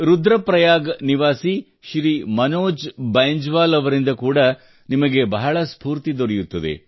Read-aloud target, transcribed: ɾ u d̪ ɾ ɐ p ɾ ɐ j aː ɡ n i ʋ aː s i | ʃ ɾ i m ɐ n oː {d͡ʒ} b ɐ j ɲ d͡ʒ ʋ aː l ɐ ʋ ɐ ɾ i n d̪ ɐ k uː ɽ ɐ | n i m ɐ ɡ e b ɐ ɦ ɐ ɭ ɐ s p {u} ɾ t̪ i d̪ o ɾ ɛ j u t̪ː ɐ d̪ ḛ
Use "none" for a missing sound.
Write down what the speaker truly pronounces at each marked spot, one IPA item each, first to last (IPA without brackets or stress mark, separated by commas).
d͡ʒ, uː